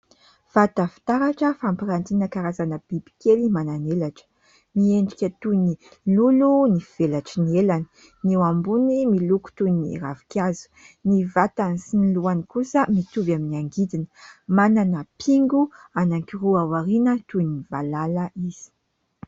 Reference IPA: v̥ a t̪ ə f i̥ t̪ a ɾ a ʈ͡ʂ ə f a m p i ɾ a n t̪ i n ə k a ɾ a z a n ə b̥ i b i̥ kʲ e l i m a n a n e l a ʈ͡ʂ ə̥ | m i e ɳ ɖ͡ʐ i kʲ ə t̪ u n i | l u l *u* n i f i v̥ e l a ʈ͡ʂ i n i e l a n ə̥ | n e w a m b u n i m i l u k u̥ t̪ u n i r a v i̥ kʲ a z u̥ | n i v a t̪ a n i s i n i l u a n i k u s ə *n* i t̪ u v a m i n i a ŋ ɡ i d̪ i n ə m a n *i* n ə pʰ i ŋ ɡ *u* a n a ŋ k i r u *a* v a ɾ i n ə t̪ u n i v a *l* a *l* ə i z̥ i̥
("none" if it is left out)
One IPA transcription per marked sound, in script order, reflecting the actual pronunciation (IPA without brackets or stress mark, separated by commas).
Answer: u, m, a, u, a, l, l